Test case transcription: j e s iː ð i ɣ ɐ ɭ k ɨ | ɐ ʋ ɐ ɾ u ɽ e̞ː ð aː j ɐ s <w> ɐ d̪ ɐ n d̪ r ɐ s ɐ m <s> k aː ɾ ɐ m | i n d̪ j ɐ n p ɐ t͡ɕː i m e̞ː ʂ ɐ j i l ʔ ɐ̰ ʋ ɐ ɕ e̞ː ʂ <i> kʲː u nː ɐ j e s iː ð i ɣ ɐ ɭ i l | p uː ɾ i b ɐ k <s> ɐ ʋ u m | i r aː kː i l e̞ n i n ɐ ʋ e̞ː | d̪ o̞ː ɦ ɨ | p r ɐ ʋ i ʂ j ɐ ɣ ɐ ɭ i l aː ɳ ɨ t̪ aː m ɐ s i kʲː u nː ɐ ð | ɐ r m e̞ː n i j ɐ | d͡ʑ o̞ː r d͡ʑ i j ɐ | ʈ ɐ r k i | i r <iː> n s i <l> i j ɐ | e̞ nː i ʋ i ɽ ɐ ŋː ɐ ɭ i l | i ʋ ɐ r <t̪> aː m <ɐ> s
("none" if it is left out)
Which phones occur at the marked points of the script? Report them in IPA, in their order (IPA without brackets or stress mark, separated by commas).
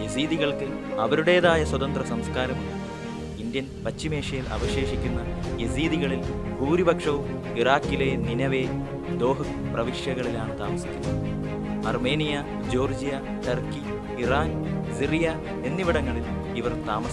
w, s, i, ʂ, aː, r, t̪, ɐ